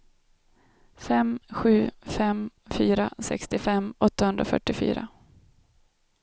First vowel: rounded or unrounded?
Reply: unrounded